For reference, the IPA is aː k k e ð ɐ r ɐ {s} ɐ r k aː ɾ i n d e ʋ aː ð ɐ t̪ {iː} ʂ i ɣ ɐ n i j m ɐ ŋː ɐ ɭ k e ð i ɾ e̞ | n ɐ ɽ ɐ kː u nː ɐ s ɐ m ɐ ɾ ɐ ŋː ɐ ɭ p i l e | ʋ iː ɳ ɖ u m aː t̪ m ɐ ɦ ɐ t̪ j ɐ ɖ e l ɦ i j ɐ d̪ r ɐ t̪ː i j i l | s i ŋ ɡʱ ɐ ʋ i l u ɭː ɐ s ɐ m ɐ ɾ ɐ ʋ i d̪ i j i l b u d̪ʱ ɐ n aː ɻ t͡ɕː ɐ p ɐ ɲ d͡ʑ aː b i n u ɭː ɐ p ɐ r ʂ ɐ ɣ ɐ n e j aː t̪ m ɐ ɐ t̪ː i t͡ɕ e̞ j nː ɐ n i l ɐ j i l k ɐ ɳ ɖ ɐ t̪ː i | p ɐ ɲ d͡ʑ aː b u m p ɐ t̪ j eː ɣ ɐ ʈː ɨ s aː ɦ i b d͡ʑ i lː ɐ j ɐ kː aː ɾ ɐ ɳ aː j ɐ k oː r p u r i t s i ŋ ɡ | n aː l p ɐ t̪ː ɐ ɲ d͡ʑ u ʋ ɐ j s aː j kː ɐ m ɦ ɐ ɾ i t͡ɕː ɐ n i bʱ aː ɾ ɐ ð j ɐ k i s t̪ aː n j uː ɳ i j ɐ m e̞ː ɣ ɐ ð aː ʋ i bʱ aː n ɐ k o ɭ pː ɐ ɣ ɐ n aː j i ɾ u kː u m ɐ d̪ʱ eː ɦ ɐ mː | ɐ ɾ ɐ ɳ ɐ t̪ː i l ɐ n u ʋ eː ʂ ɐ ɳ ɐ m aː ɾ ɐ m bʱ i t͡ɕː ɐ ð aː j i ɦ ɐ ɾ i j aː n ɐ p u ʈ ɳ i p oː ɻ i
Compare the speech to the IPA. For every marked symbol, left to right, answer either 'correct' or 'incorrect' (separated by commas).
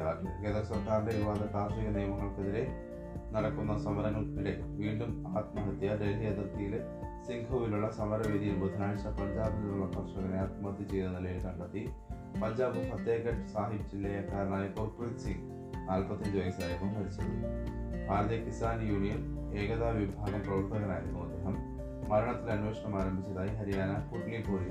correct, incorrect